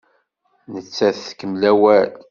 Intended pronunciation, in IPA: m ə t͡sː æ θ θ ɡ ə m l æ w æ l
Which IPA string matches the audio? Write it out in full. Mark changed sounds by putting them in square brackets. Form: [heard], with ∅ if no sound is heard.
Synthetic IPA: [n] ə t͡sː æ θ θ [k] ə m l æ w æ l